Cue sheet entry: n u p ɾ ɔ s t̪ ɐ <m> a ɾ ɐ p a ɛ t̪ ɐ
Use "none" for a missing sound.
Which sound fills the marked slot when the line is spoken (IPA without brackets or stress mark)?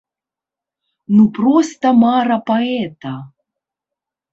m